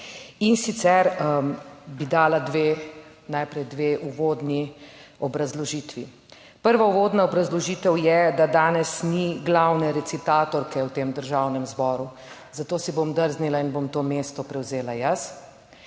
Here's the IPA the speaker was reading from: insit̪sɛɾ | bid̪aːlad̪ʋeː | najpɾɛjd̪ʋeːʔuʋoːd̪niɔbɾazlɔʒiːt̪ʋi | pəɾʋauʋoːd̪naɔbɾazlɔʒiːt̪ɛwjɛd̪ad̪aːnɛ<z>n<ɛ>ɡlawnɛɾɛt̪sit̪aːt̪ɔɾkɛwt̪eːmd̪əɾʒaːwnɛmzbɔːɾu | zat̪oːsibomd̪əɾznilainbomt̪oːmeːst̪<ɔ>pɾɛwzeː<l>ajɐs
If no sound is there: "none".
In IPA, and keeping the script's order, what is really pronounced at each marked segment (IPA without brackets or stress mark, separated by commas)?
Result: s, i, ɔ, l